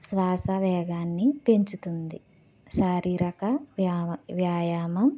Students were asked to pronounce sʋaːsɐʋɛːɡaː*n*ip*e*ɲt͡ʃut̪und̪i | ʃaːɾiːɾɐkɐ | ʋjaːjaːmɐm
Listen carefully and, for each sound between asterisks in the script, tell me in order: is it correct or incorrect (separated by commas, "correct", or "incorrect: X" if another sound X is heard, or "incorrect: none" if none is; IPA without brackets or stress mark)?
incorrect: nː, correct